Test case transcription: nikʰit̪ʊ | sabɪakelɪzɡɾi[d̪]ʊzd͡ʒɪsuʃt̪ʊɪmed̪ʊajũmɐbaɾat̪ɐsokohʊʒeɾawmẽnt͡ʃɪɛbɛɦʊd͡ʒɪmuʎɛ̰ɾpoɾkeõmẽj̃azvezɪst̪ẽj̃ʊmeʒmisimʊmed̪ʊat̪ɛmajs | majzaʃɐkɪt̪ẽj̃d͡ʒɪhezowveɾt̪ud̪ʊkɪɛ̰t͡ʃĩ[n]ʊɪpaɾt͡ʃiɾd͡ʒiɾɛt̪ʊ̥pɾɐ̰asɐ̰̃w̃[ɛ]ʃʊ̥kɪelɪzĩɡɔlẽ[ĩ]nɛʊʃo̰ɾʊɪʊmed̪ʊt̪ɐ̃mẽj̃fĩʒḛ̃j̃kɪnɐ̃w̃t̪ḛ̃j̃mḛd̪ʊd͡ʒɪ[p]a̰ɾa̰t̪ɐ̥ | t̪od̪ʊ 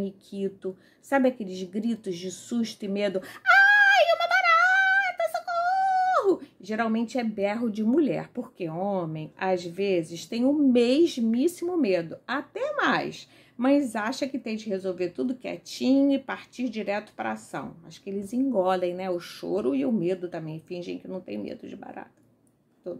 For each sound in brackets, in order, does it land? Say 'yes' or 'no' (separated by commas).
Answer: no, no, no, no, no